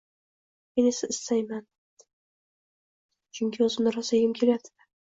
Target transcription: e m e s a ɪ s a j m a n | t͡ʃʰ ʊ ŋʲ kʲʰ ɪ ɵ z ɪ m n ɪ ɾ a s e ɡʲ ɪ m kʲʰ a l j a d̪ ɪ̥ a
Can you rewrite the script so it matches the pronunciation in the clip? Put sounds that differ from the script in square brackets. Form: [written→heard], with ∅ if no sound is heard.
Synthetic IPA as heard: e [m→n] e s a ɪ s a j m a n | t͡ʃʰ ʊ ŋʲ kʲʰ ɪ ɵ z ɪ m n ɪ ɾ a s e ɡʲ ɪ m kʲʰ [a→e] l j a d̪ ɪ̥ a